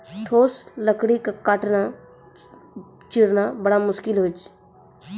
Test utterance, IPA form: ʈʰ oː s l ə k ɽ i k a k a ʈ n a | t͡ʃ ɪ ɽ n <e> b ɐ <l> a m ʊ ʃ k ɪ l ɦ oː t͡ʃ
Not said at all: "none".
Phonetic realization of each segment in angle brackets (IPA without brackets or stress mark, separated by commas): a, ɽ